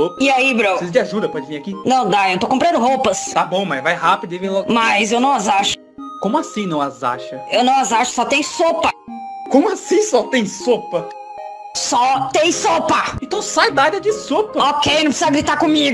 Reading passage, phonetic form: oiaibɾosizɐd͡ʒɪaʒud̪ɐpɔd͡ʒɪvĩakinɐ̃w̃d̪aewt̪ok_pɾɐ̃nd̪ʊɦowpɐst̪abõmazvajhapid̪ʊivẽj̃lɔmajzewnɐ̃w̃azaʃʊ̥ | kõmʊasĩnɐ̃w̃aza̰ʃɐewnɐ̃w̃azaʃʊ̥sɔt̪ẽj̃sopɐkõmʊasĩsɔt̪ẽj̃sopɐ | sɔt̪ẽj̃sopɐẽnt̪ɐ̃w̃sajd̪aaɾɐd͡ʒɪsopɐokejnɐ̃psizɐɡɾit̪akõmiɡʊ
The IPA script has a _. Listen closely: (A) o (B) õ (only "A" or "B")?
B